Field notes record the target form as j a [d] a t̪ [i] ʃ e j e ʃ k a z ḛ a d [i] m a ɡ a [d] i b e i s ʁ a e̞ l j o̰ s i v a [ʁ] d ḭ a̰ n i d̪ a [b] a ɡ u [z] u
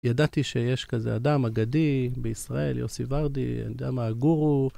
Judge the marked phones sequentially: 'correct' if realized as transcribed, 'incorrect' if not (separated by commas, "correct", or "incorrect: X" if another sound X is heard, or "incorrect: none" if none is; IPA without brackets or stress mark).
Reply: correct, correct, incorrect: a, correct, correct, incorrect: m, incorrect: ʁ